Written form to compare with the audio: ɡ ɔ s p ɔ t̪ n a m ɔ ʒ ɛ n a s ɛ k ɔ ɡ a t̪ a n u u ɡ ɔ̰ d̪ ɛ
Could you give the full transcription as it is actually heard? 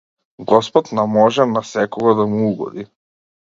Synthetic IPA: ɡ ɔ s p ɔ t̪ n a m ɔ ʒ ɛ n a s ɛ k ɔ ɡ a d̪ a m u u ɡ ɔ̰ d̪ i